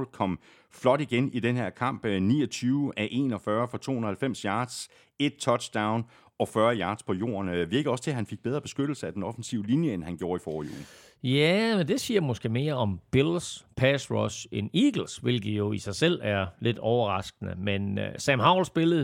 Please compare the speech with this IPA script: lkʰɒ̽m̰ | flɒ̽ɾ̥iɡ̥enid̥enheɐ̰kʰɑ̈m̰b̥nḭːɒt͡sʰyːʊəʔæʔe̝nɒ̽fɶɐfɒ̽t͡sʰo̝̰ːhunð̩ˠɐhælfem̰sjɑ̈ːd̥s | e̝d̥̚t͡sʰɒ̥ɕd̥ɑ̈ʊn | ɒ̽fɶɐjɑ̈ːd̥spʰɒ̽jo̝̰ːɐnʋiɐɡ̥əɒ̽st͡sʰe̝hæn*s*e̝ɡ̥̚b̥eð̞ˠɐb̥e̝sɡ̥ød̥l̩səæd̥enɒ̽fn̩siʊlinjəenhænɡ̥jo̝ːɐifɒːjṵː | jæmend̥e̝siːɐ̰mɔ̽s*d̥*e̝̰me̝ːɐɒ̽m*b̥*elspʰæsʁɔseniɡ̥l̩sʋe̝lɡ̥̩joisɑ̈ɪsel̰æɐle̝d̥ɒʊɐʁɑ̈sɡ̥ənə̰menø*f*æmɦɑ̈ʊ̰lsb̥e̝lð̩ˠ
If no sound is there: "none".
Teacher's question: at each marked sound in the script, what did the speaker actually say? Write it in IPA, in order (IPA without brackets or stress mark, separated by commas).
f, ɡ̥, b̥, s